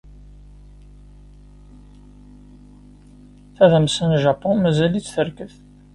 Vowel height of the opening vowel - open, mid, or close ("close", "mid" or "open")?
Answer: open